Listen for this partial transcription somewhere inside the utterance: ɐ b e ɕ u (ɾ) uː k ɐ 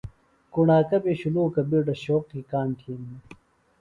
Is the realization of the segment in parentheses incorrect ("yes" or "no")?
yes